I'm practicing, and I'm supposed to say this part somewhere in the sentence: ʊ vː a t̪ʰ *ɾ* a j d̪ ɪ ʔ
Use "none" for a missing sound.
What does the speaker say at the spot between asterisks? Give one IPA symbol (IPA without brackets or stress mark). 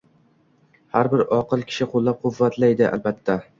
l